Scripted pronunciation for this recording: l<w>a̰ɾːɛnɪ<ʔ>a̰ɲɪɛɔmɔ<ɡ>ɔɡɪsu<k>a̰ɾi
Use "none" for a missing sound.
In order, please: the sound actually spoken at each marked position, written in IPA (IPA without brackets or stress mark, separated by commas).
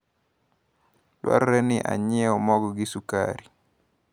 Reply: w, ʔ, ɡ, k